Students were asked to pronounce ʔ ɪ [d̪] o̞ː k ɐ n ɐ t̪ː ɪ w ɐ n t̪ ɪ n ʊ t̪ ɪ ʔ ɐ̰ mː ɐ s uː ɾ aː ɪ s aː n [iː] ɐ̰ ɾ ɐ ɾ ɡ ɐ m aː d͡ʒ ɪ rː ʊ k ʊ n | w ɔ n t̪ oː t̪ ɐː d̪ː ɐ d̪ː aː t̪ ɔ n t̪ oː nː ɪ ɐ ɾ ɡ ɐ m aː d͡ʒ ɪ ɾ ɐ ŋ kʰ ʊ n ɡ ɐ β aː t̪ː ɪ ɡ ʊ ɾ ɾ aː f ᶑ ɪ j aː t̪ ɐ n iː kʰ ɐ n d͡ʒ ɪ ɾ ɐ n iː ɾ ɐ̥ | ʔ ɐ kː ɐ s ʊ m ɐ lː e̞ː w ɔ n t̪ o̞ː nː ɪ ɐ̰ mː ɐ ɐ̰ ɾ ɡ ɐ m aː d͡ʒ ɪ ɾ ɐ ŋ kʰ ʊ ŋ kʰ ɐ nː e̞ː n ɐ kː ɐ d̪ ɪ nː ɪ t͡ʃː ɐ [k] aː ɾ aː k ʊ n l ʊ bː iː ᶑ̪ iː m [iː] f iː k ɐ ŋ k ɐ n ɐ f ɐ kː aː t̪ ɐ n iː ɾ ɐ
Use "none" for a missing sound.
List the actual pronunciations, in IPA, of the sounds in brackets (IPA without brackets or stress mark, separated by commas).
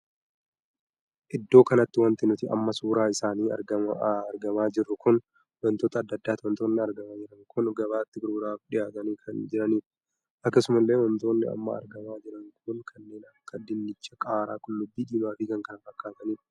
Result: d̪ː, iː, kʼ, aː